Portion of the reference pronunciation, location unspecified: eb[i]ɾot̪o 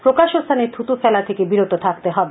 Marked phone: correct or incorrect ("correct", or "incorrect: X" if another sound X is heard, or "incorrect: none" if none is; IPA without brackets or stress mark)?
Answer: correct